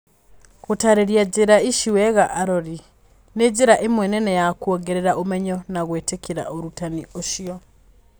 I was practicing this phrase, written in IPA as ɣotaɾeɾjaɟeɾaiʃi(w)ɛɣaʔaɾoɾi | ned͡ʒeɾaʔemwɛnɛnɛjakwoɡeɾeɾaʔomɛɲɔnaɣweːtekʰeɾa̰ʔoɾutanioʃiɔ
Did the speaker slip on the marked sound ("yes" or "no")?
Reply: no